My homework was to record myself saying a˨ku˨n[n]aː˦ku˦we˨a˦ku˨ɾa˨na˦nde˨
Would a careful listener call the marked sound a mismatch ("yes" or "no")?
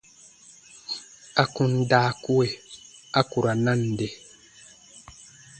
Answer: yes